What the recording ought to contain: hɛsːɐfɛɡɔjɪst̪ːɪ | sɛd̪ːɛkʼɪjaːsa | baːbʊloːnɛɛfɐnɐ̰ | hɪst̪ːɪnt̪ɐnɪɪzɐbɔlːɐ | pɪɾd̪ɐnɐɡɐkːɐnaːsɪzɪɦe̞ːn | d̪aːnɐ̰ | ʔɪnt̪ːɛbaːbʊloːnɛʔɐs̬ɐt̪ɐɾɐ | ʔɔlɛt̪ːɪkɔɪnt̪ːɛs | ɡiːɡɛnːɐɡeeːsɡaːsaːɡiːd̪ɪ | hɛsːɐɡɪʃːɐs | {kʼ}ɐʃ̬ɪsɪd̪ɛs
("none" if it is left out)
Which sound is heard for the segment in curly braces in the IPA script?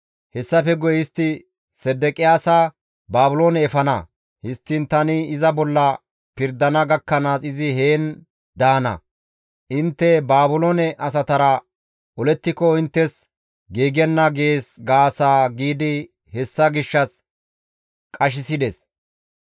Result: kʼ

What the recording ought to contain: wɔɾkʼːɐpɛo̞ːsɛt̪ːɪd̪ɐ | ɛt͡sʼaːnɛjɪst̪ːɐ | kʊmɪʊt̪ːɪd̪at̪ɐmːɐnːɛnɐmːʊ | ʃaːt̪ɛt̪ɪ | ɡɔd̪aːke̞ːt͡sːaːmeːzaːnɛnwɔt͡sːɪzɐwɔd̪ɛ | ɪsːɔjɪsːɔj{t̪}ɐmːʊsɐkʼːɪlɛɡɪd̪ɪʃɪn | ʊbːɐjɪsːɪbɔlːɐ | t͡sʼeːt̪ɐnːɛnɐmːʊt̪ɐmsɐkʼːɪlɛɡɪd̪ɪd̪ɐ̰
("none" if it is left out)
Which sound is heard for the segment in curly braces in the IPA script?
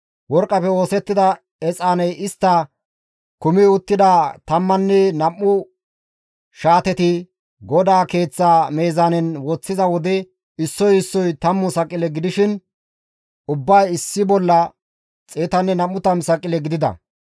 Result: t̪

